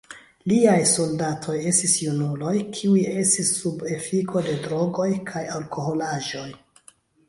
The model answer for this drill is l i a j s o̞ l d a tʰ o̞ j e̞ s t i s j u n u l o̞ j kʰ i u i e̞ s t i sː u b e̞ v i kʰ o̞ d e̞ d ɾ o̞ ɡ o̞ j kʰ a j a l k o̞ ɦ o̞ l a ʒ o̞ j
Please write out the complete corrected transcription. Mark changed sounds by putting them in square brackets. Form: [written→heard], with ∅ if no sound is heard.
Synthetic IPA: l i a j s o̞ l d a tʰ o̞ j e̞ s t i s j u n u l o̞ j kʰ i u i e̞ s t i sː u b e̞ [v→f] i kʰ o̞ d e̞ d ɾ o̞ ɡ o̞ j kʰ a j a l k o̞ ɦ o̞ l a ʒ o̞ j